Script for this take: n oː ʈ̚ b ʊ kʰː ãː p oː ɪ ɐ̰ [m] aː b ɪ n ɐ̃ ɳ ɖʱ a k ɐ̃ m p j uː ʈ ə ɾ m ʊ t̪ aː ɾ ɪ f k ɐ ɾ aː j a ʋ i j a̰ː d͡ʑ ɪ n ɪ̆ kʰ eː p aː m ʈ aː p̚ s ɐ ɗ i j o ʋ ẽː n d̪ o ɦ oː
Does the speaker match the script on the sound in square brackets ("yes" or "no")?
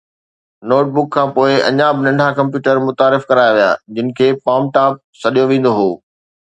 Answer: no